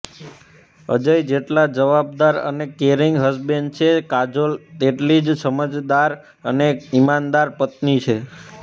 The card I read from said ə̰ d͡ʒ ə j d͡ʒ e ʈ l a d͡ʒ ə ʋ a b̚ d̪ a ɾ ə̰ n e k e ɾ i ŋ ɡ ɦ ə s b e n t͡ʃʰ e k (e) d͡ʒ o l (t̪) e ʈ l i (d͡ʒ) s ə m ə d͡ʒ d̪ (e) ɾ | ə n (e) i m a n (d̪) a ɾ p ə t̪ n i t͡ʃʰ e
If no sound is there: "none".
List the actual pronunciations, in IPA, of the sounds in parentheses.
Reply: a, t̪, d͡ʒ, a, e, d̪

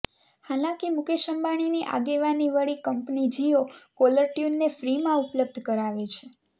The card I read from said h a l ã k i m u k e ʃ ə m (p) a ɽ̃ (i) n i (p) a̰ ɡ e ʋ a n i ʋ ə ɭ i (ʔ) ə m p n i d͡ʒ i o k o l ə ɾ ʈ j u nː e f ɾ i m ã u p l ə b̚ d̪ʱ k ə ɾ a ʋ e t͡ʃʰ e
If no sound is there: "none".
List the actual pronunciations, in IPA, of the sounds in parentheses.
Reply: b, i, ʔ, k

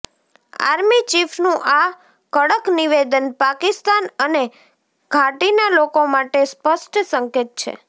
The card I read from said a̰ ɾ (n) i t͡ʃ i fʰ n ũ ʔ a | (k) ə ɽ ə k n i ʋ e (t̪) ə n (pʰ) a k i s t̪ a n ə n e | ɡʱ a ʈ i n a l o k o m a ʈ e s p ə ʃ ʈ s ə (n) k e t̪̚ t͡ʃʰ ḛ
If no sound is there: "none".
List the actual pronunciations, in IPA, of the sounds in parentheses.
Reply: m, k, d̪, p, ŋ

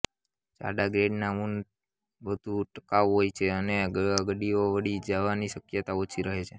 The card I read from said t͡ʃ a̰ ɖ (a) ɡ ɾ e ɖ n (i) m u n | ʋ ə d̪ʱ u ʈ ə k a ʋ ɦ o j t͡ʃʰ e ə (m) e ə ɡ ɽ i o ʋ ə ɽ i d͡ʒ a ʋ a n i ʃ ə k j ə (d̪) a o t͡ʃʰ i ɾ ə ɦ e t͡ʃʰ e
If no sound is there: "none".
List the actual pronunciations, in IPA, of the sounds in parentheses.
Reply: a, a, n, t̪

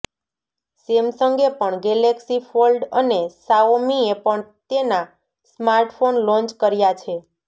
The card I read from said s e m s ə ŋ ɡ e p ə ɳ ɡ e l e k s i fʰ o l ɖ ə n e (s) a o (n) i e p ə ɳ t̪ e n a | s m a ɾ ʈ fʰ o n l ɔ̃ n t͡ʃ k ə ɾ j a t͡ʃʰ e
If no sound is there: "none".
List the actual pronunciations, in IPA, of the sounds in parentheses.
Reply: s, m

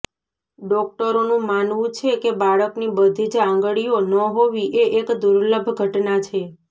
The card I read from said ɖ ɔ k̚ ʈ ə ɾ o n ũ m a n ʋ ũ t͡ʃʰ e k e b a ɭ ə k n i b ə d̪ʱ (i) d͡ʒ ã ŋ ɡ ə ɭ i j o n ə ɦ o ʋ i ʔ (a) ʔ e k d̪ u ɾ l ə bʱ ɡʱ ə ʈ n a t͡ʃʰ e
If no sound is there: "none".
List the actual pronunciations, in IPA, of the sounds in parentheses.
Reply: i, e

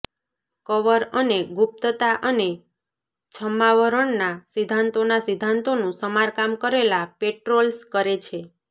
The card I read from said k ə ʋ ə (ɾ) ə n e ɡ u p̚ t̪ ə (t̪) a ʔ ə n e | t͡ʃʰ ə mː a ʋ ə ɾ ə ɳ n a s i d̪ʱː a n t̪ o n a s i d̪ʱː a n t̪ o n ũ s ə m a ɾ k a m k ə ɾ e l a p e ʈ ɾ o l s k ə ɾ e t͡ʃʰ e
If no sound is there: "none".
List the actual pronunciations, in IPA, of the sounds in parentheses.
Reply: ɾ, t̪

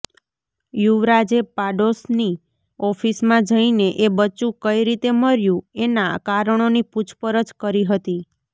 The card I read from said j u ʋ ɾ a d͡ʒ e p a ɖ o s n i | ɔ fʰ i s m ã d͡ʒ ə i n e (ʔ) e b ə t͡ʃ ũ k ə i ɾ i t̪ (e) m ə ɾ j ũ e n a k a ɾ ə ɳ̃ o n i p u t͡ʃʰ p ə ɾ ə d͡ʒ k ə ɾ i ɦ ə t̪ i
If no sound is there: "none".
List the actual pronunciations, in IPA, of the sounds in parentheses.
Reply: ʔ, e

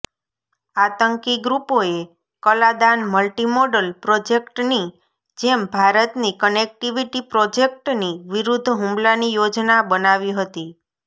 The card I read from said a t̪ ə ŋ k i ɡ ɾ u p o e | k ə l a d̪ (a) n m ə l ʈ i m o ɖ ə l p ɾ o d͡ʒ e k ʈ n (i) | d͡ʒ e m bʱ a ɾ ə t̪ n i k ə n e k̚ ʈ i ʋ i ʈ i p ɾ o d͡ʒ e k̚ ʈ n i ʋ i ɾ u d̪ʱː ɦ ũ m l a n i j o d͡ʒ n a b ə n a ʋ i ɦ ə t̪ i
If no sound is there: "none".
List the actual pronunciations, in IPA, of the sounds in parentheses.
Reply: a, i

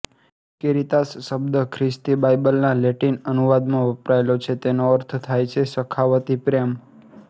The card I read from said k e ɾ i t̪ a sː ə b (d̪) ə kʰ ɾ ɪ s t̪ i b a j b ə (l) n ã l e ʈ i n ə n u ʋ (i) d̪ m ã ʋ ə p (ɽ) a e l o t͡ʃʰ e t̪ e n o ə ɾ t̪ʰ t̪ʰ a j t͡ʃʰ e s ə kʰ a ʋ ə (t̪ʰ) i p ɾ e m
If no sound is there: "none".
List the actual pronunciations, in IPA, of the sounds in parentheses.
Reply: d̪, l, a, ɾ, t̪

